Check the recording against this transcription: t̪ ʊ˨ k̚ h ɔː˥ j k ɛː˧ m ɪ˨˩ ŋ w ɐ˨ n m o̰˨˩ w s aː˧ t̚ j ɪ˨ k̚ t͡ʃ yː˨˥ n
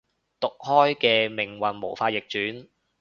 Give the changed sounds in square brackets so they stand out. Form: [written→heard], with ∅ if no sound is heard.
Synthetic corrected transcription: t̪ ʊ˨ k̚ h ɔː˥ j k ɛː˧ m ɪ˨˩ ŋ w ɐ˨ n m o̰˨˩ w [s→f] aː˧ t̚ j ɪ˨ k̚ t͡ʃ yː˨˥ n